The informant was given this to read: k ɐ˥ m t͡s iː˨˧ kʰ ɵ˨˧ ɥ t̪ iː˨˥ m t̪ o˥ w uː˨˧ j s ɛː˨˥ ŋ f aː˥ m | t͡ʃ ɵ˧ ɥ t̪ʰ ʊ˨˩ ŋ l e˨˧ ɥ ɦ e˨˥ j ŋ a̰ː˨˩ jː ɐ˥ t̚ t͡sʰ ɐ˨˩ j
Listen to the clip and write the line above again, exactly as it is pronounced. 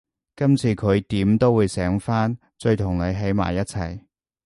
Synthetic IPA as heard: k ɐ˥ m t͡sʰ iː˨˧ kʰ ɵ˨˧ ɥ t̪ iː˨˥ m t̪ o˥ w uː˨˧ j s ɛː˨˥ ŋ f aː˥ n | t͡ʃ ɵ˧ ɥ t̪ʰ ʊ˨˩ ŋ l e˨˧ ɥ ɦ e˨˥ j m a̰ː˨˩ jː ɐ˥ t̚ t͡sʰ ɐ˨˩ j